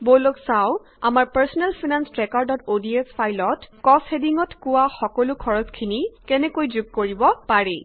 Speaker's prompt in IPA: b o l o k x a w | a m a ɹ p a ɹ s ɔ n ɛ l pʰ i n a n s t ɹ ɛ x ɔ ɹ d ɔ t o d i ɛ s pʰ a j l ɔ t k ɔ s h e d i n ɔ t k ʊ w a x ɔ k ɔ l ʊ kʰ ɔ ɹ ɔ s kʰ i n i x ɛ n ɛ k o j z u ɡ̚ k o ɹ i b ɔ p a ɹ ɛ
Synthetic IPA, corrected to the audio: b o l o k s a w | a m a ɹ p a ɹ s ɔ n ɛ l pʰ i n a n s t ɹ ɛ k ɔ ɹ d ɔ t o d i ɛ s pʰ a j l ɔ t k ɔ s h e d i ŋ ɔ t k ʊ w a x ɔ k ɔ l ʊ kʰ ɔ ɹ ɔ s kʰ i n i k ɛ n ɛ k o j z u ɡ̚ k o ɹ i b ɔ p a ɹ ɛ